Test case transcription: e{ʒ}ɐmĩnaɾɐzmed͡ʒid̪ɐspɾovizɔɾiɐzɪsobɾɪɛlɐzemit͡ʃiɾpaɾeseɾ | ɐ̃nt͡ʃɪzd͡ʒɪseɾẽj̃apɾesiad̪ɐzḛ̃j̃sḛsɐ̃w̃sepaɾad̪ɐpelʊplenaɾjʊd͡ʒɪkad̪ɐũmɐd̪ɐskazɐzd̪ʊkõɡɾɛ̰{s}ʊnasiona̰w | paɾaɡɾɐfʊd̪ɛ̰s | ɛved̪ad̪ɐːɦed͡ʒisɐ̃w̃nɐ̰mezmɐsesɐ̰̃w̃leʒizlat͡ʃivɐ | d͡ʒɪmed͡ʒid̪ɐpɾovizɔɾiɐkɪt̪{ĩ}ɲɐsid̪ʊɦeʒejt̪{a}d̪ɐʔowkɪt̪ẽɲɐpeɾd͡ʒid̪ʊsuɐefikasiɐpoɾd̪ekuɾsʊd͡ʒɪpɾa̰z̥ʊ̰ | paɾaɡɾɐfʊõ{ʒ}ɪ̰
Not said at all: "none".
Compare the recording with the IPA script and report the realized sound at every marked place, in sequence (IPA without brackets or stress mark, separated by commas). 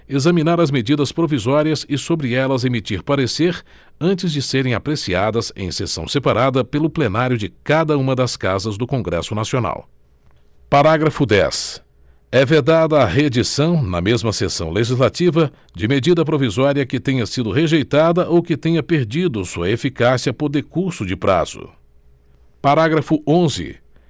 z, s, ẽ, a, z